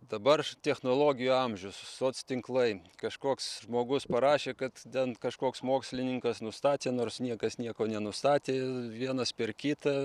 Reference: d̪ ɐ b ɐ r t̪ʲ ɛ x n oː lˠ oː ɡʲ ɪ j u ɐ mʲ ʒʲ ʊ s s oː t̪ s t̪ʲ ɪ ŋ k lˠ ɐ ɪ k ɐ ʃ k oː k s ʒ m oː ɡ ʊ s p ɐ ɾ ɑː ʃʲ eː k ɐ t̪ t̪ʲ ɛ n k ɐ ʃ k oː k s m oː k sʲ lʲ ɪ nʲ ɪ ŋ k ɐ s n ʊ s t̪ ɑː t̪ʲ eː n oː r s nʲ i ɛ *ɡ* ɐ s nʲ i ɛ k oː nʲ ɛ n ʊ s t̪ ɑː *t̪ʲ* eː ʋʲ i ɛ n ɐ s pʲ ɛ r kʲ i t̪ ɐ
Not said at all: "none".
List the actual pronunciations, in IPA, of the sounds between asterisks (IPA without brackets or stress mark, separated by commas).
k, t̪ʲ